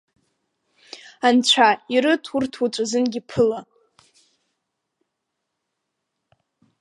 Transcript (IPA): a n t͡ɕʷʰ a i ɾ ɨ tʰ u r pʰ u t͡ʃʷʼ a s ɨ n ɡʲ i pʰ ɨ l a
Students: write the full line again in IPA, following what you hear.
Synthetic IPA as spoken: a n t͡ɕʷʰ a i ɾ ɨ tʰ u r tʰ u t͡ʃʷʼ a z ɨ n ɡʲ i pʰ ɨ l a